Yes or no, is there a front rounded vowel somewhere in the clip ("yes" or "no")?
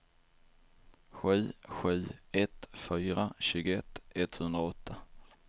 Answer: yes